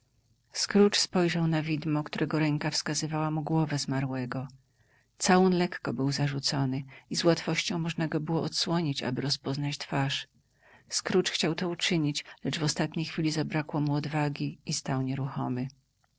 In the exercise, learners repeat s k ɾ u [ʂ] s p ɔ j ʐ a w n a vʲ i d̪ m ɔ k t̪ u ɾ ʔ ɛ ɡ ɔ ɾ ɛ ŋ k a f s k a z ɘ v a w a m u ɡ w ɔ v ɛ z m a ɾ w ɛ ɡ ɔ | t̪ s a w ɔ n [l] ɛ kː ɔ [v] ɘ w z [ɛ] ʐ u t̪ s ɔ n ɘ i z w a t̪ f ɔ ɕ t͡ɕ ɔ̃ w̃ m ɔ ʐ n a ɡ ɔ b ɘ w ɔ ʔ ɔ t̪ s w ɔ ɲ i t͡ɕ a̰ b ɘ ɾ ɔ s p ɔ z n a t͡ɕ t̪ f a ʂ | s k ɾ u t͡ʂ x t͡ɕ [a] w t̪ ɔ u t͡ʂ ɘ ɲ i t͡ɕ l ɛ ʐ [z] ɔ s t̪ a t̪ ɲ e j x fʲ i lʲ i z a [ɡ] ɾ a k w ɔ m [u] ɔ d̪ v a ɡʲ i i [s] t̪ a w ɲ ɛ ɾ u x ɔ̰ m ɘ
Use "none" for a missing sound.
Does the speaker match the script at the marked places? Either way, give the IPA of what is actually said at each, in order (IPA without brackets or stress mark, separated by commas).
t͡ʂ, l, b, a, a, v, b, u, s